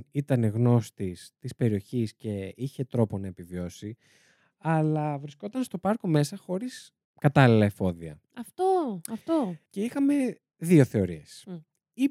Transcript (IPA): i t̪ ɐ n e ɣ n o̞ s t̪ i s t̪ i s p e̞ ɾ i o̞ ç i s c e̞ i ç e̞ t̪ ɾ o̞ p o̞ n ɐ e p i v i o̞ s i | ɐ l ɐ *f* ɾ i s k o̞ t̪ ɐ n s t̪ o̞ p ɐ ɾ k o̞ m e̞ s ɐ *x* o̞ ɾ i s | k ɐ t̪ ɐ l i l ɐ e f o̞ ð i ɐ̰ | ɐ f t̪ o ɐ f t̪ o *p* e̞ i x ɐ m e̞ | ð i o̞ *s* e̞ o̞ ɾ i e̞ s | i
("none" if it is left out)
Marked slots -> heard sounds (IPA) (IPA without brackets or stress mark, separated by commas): v, x, c, θ